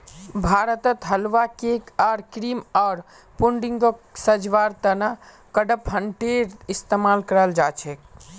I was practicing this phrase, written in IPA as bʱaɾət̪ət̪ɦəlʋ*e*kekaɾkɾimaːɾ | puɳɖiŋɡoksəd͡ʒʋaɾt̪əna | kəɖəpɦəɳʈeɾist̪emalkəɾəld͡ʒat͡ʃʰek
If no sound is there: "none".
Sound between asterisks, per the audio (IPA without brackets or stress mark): a